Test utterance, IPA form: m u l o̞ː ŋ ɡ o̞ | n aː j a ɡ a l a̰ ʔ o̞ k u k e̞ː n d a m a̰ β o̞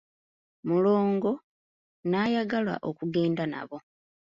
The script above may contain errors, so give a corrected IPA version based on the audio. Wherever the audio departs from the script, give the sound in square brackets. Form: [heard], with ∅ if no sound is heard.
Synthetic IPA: m u l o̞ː ŋ ɡ o̞ | n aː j a ɡ a l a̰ ʔ o̞ k u [ɡ] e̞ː n d a [n] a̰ β o̞